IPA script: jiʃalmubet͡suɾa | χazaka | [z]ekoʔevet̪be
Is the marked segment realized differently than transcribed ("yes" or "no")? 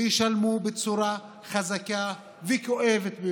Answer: yes